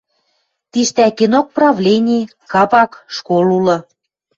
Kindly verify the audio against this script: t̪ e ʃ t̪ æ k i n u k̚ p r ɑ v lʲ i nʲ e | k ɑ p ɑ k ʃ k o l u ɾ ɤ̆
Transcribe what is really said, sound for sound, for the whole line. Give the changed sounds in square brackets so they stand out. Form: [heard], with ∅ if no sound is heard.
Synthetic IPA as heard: t̪ [i] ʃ t̪ æ k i n [o] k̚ p r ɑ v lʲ [e] nʲ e | k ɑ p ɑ k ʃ k o l u [l] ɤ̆